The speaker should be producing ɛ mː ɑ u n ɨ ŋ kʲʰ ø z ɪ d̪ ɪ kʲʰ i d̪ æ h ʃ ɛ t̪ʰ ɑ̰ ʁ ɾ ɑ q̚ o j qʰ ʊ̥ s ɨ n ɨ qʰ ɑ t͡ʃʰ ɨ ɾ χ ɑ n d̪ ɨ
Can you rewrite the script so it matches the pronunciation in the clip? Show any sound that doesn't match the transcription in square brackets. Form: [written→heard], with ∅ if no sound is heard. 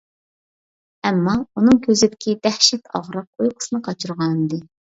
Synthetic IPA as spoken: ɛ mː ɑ u n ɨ ŋ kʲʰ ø z ɪ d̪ ɪ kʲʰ i d̪ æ h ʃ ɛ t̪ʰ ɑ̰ ʁ ɾ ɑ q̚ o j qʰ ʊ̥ s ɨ n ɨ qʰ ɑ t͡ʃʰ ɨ ɾ [χ→ʁ] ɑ n d̪ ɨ